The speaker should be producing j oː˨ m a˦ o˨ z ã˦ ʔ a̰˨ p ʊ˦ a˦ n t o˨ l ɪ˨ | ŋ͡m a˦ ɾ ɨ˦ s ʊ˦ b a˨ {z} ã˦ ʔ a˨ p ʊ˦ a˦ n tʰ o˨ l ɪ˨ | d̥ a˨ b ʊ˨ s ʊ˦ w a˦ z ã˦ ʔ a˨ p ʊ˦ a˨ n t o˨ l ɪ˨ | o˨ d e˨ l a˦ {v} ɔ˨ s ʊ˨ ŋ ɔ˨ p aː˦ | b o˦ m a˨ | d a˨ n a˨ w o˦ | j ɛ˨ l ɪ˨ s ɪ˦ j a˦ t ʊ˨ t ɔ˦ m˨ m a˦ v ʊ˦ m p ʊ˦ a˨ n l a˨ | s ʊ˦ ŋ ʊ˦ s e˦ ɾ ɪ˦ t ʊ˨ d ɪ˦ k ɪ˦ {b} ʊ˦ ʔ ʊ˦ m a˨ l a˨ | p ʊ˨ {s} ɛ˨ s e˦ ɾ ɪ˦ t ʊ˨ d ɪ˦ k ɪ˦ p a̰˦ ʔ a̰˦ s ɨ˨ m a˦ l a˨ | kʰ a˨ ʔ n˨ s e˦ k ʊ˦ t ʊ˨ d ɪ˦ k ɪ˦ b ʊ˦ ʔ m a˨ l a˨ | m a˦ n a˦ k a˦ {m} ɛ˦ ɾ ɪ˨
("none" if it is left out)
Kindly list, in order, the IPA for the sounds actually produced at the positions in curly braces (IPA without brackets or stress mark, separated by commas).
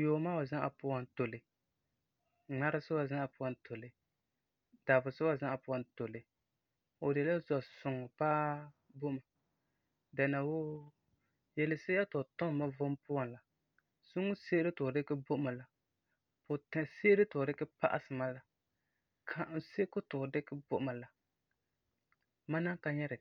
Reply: z, z, b, t, ɲ